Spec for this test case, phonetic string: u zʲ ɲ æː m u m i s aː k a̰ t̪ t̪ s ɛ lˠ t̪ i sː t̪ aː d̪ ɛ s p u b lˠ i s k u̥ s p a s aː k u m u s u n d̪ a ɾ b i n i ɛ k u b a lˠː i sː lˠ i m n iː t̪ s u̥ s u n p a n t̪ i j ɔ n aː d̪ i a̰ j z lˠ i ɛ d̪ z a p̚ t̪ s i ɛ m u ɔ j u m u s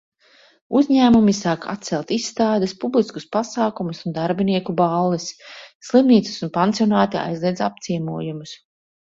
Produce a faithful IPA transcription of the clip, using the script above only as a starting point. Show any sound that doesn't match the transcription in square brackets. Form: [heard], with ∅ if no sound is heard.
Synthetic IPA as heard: u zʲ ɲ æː m u m i s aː k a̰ t̪ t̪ s ɛ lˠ t̪ i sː t̪ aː d̪ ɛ s p u b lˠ i s k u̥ s p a s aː k u m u s u n d̪ a ɾ b i n i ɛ k u b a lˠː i sː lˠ i m n iː t̪ s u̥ s u n p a n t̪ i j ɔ n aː [t̪] i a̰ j z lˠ i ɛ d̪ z a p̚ t̪ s i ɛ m u ɔ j u m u s